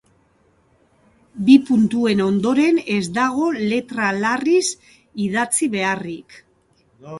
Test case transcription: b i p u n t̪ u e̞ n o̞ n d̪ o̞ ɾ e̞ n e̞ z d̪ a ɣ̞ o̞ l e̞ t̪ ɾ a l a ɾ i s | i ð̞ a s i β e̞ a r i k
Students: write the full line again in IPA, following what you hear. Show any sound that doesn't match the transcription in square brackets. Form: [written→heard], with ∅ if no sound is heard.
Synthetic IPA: b i p u n t̪ u e̞ n o̞ n d̪ o̞ ɾ e̞ n e̞ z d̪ a ɣ̞ o̞ l e̞ t̪ ɾ a l a [ɾ→r] i s | i ð̞ a [s→t͡s] i β e̞ a r i k

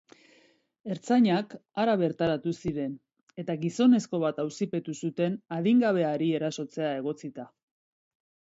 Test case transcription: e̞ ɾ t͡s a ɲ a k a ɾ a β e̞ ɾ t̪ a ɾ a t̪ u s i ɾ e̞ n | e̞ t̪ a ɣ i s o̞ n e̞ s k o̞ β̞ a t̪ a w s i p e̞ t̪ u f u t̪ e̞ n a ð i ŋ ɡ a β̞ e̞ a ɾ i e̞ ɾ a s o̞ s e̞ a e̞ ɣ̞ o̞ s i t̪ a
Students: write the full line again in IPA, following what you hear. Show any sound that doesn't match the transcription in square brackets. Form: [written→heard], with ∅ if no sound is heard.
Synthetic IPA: e̞ ɾ t͡s a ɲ a k a ɾ a β e̞ ɾ t̪ a ɾ a t̪ u s i ɾ e̞ n | e̞ t̪ a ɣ i s o̞ n e̞ s k o̞ β̞ a t̪ a w s i p e̞ t̪ u [f→s] u t̪ e̞ n a ð i ŋ ɡ a β̞ e̞ a ɾ i e̞ ɾ a s o̞ [s→t͡s] e̞ a e̞ ɣ̞ o̞ [s→t͡s] i t̪ a

